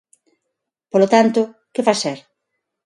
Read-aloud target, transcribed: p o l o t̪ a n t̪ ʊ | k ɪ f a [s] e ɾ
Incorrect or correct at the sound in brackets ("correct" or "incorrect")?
correct